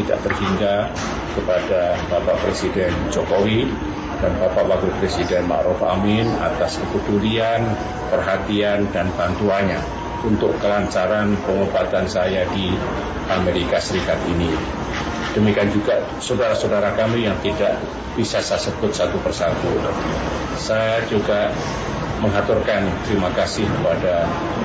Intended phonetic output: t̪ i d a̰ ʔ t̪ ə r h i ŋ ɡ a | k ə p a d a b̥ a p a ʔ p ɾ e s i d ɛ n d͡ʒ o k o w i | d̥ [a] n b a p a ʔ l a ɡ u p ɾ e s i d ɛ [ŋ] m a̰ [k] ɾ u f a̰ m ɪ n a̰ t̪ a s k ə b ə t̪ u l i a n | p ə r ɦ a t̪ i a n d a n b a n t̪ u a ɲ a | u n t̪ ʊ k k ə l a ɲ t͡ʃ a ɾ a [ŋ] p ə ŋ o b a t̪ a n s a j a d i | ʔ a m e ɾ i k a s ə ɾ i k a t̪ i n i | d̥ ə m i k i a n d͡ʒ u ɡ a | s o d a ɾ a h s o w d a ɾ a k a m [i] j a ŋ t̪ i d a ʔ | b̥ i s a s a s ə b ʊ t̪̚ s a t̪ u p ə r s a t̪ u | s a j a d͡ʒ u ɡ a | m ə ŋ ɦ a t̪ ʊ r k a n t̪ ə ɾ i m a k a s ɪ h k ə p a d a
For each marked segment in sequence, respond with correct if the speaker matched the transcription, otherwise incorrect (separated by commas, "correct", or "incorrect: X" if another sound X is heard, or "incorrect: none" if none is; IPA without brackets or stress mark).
correct, incorrect: n, incorrect: ʔ, incorrect: n, correct